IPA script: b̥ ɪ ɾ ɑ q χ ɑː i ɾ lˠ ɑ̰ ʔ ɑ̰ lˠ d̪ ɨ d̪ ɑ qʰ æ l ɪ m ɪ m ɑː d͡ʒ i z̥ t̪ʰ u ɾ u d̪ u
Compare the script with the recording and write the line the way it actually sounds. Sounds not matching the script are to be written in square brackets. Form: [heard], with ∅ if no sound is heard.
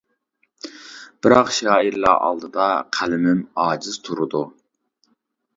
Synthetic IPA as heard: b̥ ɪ ɾ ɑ q [ʃ] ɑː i ɾ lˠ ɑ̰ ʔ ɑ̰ lˠ d̪ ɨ d̪ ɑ qʰ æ l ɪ m ɪ m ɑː d͡ʒ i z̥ t̪ʰ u ɾ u d̪ u